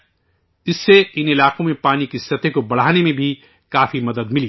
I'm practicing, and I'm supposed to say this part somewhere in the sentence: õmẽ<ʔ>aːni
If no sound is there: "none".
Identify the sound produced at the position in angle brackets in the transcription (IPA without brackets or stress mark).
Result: p